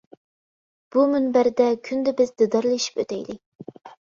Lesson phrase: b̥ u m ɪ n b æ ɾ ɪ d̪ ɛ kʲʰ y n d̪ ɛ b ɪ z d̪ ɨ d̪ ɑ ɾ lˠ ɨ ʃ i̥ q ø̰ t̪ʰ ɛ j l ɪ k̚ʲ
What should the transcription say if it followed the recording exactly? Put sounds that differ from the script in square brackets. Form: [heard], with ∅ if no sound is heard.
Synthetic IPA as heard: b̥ u m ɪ n b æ ɾ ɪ d̪ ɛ kʲʰ y n d̪ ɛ b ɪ z d̪ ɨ d̪ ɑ ɾ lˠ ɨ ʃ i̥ [p] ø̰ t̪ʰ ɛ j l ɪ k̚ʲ

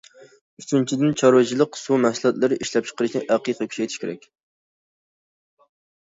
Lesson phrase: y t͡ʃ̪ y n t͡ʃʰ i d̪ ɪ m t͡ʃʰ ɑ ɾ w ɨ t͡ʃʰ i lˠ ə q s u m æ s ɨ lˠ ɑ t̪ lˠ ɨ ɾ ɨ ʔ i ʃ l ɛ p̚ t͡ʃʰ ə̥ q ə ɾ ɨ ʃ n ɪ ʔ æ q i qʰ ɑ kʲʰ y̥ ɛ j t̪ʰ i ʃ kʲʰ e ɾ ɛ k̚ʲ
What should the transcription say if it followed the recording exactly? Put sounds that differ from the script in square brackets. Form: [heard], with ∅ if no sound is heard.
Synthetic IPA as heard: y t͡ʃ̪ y n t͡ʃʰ i d̪ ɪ [n] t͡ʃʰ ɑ ɾ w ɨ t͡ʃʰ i lˠ ə q s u m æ s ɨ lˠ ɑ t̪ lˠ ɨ ɾ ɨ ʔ i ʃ l ɛ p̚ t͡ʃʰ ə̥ q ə ɾ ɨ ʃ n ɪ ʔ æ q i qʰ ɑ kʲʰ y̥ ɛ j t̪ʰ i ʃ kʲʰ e ɾ ɛ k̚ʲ

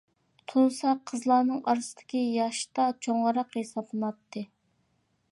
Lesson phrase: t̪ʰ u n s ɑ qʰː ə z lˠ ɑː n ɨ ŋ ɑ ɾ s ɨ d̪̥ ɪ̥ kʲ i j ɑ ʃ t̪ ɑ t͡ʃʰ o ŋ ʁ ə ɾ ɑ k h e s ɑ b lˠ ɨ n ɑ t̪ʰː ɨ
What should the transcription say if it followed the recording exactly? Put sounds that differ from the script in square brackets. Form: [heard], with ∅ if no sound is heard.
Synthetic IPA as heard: t̪ʰ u n s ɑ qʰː ə z lˠ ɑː n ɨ ŋ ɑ ɾ s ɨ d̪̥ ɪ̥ kʲ i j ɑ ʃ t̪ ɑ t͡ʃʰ o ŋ ʁ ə ɾ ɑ [q] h e s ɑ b lˠ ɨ n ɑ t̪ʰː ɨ

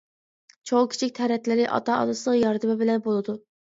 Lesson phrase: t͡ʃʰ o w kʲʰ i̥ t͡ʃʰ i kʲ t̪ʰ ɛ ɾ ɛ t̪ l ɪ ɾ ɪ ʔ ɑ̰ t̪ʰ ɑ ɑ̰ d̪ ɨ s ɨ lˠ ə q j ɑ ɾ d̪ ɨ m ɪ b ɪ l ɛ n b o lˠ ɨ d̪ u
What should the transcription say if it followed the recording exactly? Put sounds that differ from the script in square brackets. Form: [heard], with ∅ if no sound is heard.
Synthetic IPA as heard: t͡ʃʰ o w kʲʰ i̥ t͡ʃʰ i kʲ t̪ʰ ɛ ɾ ɛ t̪ l ɪ ɾ ɪ ʔ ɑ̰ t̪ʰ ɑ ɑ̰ d̪ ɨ s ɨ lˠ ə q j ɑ ɾ d̪ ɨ m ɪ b ɪ l ɛ n b o lˠ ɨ d̪ u

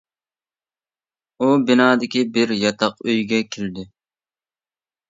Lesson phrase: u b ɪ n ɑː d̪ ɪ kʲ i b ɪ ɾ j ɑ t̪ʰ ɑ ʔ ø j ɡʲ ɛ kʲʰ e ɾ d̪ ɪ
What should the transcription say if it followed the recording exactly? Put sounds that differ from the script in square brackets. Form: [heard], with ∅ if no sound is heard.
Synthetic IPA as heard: u b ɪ n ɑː d̪ ɪ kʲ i b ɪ ɾ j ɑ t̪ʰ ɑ [q] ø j ɡʲ ɛ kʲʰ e [l] d̪ ɪ

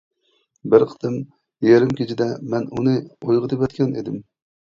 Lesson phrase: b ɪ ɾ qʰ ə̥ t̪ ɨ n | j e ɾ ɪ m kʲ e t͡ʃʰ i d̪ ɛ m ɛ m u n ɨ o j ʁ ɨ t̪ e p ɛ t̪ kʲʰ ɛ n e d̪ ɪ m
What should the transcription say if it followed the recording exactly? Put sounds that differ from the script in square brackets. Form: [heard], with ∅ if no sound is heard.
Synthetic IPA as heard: b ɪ ɾ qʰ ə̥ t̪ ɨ [m] | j e ɾ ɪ m kʲ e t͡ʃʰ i d̪ ɛ m ɛ [n] u n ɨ o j ʁ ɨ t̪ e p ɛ t̪ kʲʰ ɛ n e d̪ ɪ m

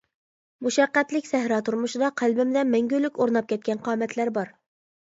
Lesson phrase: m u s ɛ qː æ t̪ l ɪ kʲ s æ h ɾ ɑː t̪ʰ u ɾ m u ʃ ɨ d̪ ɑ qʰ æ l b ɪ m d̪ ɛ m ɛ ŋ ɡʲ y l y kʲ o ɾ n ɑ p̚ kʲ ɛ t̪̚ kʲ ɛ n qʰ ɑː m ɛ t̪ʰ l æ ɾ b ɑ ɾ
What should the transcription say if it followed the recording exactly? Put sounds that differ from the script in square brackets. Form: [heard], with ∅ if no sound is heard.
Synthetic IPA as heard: m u [ʃ] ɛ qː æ t̪ l ɪ kʲ s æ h ɾ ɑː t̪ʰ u ɾ m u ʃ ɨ d̪ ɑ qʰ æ l b ɪ m d̪ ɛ m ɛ ŋ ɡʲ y l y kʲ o ɾ n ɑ p̚ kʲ ɛ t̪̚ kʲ ɛ n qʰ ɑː m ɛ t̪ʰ l æ ɾ b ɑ ɾ

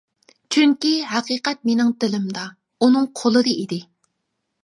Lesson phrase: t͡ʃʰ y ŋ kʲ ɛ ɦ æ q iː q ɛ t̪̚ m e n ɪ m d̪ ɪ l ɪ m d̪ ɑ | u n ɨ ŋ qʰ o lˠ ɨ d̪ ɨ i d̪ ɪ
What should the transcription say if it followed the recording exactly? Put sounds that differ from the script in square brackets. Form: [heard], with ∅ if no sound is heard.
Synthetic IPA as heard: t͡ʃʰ y ŋ kʲ [i] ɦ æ q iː q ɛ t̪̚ m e n ɪ [ŋ] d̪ ɪ l ɪ m d̪ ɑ | u n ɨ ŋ qʰ o lˠ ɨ d̪ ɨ i d̪ ɪ

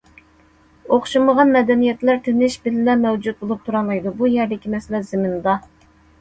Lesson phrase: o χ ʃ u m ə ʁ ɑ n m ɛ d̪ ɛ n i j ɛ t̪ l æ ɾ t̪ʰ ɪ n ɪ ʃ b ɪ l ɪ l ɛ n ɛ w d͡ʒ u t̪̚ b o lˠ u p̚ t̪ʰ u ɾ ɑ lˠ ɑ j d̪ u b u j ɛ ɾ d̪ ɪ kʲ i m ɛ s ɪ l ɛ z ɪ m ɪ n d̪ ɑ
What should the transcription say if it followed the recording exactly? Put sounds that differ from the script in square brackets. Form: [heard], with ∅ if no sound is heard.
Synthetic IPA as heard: o χ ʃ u m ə ʁ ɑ n m ɛ d̪ ɛ n i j ɛ t̪ l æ ɾ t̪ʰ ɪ n ɪ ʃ b ɪ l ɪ l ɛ [m] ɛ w d͡ʒ u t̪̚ b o lˠ u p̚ t̪ʰ u ɾ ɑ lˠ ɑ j d̪ u b u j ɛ ɾ d̪ ɪ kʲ i m ɛ s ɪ l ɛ z ɪ m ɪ n d̪ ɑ

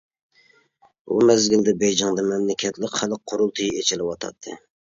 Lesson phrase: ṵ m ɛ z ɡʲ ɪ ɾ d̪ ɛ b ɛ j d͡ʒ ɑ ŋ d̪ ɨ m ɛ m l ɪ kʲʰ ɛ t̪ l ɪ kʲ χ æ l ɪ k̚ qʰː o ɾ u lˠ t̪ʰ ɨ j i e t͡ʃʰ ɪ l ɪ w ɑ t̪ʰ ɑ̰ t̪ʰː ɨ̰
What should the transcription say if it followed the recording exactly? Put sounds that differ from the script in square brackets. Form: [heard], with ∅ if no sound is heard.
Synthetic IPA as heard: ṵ m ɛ z ɡʲ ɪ [l] d̪ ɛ b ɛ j d͡ʒ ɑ ŋ d̪ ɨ m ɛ m l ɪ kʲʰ ɛ t̪ l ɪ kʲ χ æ l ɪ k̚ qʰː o ɾ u lˠ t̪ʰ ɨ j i e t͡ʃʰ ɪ l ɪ w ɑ t̪ʰ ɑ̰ t̪ʰː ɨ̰

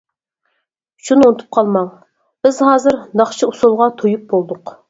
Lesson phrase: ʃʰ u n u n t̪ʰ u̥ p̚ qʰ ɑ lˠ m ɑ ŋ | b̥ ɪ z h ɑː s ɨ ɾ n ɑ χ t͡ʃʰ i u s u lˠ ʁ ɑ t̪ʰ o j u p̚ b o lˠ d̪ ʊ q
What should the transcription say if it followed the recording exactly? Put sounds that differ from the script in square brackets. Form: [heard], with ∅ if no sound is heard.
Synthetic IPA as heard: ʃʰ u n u n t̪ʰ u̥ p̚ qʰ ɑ lˠ m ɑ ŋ | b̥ ɪ z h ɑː [z] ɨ ɾ n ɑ χ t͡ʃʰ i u s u lˠ ʁ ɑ t̪ʰ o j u p̚ b o lˠ d̪ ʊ q

